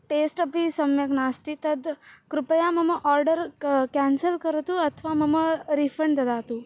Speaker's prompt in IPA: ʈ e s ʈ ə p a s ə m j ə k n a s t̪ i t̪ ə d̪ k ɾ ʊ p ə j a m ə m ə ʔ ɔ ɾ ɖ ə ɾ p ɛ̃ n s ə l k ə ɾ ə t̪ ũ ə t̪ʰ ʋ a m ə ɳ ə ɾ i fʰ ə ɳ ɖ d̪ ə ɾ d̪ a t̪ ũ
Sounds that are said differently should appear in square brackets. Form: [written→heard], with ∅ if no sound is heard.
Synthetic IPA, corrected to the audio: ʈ e s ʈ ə p [a→i] s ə m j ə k n a s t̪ i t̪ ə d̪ k ɾ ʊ p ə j a m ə m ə ʔ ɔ ɾ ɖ ə ɾ [p→k] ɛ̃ n s ə l k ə ɾ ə t̪ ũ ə t̪ʰ ʋ a m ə [ɳ→m] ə ɾ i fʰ ə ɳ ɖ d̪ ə [ɾ→∅] d̪ a t̪ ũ